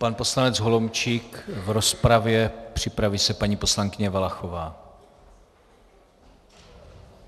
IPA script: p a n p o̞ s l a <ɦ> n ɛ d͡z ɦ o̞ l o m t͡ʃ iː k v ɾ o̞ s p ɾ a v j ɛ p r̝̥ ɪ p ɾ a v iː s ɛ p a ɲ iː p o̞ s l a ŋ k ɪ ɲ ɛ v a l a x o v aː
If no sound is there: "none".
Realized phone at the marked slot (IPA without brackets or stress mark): none